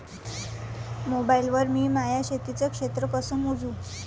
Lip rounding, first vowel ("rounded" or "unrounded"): rounded